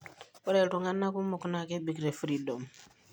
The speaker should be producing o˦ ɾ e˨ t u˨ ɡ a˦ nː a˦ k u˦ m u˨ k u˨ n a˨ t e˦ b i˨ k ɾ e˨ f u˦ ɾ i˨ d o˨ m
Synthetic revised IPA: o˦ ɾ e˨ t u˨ ŋ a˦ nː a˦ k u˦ m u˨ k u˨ n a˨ k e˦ b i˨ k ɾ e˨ f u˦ ɾ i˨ d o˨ m